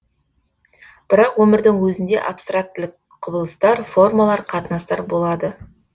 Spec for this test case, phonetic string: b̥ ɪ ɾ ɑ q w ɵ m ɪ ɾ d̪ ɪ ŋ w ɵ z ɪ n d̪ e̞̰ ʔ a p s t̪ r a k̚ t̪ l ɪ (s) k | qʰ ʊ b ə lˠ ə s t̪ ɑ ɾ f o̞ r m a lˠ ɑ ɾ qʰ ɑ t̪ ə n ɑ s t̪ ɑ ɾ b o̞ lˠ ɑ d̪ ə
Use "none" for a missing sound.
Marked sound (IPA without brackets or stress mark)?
none